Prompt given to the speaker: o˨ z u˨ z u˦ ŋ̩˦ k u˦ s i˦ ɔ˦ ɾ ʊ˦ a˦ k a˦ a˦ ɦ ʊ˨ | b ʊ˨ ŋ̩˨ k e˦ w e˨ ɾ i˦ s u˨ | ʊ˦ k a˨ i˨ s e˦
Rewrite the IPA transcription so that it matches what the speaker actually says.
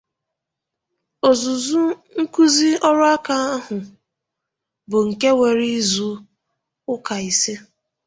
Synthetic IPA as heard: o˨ z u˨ z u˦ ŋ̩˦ k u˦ z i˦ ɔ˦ ɾ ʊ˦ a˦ k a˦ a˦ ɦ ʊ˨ | b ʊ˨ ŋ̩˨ k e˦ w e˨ ɾ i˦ z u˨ | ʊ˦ k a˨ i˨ s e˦

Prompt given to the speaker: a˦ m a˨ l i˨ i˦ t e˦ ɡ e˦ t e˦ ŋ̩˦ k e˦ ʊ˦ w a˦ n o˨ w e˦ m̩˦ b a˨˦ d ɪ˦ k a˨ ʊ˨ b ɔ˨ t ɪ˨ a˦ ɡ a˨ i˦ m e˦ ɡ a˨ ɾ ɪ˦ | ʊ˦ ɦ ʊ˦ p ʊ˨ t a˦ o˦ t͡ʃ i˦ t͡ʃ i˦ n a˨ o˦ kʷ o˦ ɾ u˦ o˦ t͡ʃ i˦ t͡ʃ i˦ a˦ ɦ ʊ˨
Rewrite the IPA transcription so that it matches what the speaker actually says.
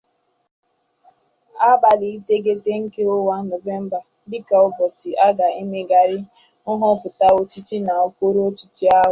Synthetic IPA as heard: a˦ b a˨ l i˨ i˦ t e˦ ɡ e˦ t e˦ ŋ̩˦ k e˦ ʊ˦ w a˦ n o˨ v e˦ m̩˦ b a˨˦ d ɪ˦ k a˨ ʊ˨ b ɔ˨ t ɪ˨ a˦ ɡ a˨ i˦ m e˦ ɡ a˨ ɾ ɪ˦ | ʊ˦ ɦ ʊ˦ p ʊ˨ t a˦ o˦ t͡ʃ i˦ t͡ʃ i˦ n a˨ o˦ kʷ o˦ ɾ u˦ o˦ t͡ʃ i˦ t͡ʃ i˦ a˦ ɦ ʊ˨

